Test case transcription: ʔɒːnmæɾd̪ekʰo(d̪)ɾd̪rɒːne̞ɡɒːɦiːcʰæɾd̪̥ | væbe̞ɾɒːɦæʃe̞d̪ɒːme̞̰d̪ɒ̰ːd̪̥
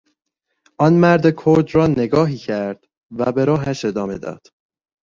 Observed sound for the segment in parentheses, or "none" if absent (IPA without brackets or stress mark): none